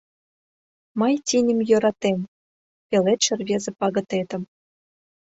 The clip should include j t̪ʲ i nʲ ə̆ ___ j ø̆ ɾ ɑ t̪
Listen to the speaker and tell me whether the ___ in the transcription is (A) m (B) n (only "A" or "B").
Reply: A